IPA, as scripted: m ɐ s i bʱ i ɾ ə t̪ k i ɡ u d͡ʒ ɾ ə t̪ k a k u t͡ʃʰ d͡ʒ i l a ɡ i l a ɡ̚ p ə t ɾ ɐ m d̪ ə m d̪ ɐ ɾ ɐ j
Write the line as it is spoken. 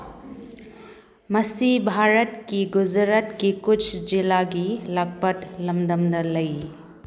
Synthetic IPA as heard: m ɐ s i bʱ a ɾ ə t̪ k i ɡ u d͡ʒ ɾ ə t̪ k i k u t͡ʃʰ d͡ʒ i l a ɡ i l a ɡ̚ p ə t l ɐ m d̪ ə m d̪ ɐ l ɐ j